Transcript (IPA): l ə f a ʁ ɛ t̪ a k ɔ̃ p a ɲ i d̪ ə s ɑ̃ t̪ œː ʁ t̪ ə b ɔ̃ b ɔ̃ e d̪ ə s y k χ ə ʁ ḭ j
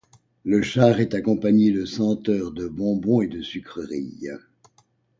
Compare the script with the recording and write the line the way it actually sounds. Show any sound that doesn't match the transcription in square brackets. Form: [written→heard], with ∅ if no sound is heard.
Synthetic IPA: l ə [f→ʃ] a ʁ ɛ t̪ a k ɔ̃ p a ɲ [i→e] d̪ ə s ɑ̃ t̪ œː ʁ [t̪→d̪] ə b ɔ̃ b ɔ̃ e d̪ ə s y k χ ə ʁ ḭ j